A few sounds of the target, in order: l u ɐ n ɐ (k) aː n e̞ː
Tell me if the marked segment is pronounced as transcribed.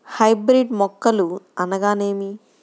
no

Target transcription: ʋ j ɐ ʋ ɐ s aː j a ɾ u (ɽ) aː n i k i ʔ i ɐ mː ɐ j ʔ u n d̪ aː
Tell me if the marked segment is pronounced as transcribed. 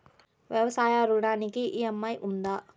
yes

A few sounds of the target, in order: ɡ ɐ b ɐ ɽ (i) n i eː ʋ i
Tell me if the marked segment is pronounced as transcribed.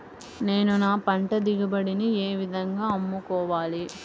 yes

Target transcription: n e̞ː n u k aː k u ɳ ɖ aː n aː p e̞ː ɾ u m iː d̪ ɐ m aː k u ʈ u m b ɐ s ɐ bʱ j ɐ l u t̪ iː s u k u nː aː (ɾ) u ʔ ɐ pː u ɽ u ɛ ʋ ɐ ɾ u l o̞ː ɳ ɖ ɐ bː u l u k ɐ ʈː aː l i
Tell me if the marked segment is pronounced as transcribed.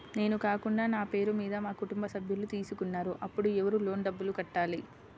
yes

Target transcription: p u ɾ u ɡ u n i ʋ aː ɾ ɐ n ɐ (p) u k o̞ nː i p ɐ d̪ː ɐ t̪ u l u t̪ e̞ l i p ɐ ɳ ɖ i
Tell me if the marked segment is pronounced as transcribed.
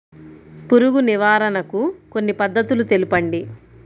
no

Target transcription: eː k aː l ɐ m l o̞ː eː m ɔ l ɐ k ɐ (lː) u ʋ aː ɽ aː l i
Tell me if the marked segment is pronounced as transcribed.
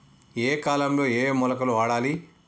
no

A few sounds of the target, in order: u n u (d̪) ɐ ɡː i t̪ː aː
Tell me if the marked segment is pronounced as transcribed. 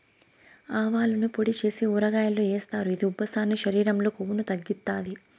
no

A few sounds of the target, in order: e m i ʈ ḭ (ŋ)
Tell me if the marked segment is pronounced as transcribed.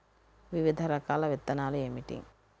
yes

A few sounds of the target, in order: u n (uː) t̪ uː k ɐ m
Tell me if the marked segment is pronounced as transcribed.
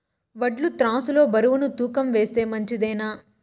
no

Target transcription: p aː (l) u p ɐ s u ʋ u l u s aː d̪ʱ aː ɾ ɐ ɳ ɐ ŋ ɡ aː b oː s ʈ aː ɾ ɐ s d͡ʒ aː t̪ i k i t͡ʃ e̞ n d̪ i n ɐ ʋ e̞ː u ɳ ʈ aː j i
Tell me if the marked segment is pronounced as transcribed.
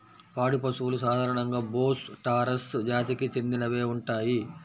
no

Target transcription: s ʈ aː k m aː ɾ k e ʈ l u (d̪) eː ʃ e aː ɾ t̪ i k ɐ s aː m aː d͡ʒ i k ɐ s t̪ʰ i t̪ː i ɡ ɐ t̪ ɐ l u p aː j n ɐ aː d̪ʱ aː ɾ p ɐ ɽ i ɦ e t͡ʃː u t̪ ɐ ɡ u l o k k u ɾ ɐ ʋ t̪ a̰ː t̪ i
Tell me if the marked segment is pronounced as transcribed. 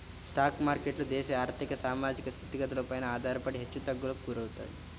yes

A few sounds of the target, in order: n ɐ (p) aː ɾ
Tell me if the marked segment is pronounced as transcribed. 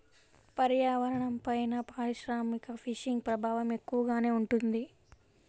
yes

